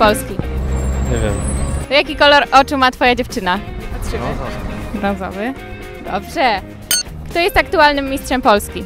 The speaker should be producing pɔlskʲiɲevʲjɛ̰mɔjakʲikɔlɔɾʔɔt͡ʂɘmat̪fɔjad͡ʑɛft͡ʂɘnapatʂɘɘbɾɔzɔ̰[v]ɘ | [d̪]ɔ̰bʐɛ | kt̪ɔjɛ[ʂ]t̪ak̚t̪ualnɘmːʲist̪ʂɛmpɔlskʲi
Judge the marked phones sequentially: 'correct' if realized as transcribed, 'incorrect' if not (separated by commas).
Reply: correct, correct, incorrect